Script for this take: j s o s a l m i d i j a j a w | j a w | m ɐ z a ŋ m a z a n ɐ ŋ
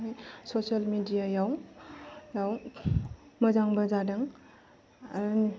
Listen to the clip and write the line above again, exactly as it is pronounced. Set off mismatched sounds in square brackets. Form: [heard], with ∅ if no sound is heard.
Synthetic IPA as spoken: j s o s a l m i d i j a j a w | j a w | m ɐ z a ŋ [b] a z a [d] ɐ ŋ